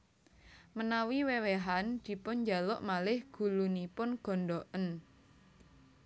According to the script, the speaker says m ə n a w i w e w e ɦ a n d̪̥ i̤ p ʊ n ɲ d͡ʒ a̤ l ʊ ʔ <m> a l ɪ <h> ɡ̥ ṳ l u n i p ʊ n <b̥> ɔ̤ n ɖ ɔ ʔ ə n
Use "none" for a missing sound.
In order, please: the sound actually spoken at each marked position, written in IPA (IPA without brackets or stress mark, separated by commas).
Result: m, h, ɡ̥